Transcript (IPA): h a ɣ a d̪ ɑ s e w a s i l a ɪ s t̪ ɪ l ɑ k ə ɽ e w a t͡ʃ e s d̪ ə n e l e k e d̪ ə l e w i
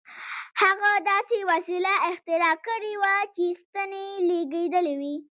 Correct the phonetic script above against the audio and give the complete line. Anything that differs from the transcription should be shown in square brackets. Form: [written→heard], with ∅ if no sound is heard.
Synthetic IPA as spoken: h a ɣ a d̪ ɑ s e w a s i l a ɪ [s→x] t̪ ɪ [l→ɾ] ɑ k ə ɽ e w a t͡ʃ e s [d̪→t̪] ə n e l e [k→ɡ] e d̪ ə l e w i